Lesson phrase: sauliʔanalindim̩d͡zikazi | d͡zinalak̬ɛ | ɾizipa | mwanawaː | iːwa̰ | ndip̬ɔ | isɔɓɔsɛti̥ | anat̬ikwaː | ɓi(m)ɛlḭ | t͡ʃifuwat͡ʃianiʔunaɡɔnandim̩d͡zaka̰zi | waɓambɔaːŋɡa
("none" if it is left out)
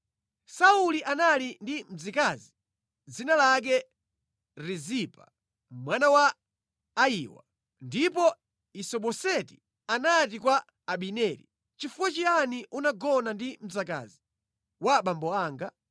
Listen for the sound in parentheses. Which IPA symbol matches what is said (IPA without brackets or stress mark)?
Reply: n